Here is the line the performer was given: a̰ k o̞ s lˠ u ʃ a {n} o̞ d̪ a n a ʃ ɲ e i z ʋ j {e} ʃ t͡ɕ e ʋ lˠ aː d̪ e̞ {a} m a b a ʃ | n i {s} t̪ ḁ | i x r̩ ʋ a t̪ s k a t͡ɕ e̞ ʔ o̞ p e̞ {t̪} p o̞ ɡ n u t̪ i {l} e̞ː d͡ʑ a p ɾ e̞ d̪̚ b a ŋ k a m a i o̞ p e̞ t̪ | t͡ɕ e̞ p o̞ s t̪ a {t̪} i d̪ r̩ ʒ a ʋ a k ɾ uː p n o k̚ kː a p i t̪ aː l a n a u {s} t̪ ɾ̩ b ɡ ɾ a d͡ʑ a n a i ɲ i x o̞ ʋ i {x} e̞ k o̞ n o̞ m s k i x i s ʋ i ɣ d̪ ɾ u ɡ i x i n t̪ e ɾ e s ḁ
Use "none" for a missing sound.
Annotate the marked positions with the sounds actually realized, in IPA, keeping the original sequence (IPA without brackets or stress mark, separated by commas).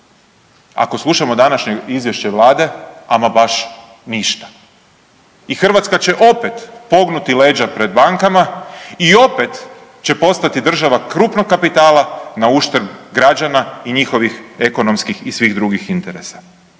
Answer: m, e, a, ʃ, t̪, l, t̪, ʃ, x